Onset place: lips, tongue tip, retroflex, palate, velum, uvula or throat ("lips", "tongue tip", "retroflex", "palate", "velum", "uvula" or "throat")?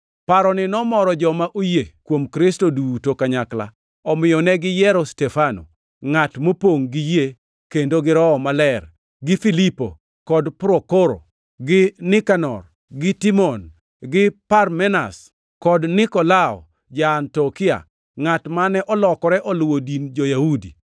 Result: lips